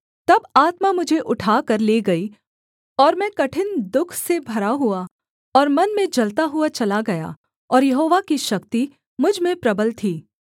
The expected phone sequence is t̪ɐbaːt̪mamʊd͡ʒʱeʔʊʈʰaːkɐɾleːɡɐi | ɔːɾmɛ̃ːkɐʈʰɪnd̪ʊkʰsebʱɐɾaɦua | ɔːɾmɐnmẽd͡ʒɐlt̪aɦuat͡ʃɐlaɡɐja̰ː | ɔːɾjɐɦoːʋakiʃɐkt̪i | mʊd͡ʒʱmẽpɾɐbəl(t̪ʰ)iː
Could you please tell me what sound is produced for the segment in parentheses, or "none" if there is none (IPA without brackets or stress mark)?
t̪ʰ